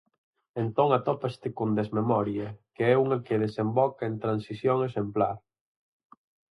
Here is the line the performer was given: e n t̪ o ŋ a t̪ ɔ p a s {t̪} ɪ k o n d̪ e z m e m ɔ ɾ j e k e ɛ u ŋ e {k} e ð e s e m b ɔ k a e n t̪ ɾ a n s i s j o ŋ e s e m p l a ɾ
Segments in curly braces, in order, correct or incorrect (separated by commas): correct, correct